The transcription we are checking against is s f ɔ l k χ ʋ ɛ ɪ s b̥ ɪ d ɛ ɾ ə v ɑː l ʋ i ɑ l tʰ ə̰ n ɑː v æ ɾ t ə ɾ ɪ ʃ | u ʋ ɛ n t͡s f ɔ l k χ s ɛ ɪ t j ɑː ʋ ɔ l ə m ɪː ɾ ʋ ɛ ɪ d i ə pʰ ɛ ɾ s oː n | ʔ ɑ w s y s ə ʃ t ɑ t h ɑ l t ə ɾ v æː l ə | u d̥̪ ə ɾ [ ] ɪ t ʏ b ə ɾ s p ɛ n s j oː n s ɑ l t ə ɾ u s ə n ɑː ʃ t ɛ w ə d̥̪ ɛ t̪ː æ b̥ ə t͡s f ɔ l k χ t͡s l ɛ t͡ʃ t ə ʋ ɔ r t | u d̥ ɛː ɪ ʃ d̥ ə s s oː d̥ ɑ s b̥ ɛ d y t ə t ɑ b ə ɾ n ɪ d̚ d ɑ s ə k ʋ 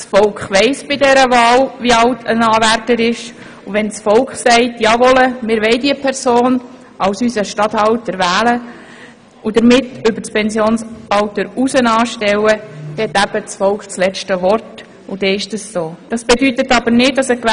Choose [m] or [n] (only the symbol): m